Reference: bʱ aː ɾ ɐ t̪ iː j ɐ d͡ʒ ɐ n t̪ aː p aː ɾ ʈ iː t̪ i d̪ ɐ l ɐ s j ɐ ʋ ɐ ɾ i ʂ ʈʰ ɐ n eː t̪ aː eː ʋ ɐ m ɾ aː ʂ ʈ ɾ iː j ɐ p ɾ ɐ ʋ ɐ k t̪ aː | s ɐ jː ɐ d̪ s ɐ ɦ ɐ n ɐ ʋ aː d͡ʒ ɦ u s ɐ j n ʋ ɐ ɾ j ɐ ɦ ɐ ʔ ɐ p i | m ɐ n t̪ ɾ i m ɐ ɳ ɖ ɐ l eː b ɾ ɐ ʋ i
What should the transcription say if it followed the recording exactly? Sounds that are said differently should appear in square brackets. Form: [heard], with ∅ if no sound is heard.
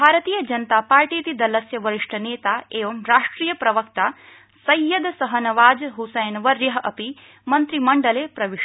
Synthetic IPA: bʱ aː ɾ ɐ t̪ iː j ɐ d͡ʒ ɐ n t̪ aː p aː ɾ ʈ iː t̪ i d̪ ɐ l ɐ s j ɐ ʋ ɐ ɾ i ʂ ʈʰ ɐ n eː t̪ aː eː ʋ ɐ m ɾ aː ʂ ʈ ɾ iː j ɐ p ɾ ɐ ʋ ɐ k t̪ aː | s ɐ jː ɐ d̪ s ɐ ɦ ɐ n ɐ ʋ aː d͡ʒ ɦ u s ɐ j n ʋ ɐ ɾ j ɐ ɦ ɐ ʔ ɐ p i | m ɐ n t̪ ɾ i m ɐ ɳ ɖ ɐ l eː [p] ɾ ɐ ʋ i